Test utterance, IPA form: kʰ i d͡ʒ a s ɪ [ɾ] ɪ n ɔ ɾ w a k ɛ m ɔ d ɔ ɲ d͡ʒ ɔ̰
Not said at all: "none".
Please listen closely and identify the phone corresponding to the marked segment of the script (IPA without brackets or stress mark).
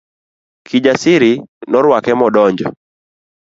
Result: ɾ